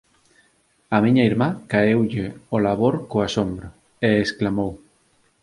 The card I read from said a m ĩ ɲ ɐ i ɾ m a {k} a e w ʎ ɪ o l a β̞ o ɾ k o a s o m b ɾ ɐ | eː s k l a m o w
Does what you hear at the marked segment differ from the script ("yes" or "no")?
no